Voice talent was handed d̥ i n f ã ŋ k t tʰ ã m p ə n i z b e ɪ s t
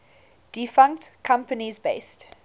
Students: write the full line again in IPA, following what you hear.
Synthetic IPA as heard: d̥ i f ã ŋ k t kʰ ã m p ə n i z b e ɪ s t